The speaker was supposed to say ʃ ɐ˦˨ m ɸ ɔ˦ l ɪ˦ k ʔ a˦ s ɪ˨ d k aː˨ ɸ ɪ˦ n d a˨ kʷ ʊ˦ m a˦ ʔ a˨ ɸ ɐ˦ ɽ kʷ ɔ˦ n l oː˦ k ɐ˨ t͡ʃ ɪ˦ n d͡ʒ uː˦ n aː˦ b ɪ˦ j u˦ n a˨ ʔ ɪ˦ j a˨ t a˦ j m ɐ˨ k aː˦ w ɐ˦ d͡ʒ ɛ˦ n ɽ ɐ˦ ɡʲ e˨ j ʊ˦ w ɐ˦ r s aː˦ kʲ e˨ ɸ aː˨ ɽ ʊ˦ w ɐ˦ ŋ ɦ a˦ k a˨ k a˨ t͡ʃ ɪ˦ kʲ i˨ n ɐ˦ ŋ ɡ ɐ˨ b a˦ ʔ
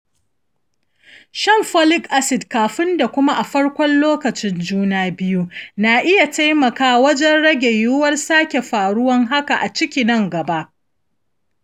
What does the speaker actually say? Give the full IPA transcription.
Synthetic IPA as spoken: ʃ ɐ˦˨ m ɸ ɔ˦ l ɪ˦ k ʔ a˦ s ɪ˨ d k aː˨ ɸ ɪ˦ n d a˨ kʷ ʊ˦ m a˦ ʔ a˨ ɸ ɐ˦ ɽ kʷ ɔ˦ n l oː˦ k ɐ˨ t͡ʃ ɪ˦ n d͡ʒ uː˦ n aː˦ b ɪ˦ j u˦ n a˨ ʔ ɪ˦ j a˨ t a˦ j m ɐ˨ k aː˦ w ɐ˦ d͡ʒ ɛ˦ n ɽ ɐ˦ ɡʲ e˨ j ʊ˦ w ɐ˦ r s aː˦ kʲ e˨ ɸ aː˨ ɽ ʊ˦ w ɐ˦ ŋ ɦ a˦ k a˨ ʔ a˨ t͡ʃ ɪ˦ kʲ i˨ n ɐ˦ ŋ ɡ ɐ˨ b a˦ ʔ